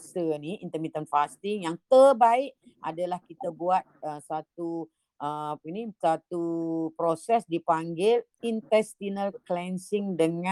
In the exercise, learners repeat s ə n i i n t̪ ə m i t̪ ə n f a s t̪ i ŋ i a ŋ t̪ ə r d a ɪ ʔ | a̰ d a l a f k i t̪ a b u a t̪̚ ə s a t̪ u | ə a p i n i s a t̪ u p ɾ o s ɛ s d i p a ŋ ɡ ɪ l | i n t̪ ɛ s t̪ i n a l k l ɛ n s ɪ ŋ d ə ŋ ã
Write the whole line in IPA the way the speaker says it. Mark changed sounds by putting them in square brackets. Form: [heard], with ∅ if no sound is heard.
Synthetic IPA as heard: s ə n i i n t̪ ə m i t̪ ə n f a s t̪ i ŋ [j] a ŋ t̪ ə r [b] a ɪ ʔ | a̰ d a l a [h] k i t̪ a b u a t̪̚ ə s a t̪ u | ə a p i n i s a t̪ u p ɾ o s ɛ s d i p a ŋ ɡ ɪ l | i n t̪ ɛ s t̪ i n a l k l ɛ n s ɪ ŋ d ə ŋ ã